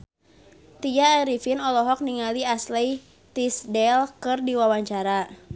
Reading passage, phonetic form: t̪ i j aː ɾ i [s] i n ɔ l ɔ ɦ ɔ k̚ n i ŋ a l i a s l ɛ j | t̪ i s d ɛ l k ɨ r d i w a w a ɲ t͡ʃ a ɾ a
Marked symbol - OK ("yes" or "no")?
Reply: no